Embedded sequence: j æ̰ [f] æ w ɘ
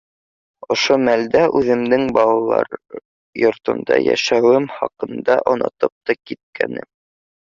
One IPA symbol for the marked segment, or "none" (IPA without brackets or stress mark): ʃ